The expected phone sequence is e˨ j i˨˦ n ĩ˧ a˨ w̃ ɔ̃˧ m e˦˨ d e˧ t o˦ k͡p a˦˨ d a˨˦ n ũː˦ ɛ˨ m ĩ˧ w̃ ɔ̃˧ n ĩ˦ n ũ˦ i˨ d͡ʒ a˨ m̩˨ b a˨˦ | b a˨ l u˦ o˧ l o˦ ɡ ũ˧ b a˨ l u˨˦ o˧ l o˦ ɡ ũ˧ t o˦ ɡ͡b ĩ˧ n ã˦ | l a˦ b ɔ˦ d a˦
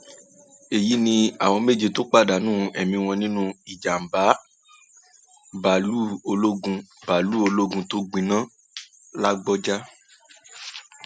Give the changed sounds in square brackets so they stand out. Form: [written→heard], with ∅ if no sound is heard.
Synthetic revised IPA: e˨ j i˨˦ n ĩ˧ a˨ w̃ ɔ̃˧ m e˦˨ [d→d͡ʒ] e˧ t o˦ k͡p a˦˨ d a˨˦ n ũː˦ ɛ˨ m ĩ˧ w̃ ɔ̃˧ n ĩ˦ n ũ˦ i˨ d͡ʒ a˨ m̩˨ b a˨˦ | b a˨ l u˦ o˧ l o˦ ɡ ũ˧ b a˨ l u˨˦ o˧ l o˦ ɡ ũ˧ t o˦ ɡ͡b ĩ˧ n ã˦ | l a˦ [b→ɡ͡b] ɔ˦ [d→d͡ʒ] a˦